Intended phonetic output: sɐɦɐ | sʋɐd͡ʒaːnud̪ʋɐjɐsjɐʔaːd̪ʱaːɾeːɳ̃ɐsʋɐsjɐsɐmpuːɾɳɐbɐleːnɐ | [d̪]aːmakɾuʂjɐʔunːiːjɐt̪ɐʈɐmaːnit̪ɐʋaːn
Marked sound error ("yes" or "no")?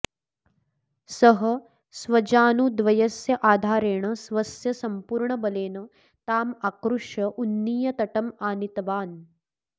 yes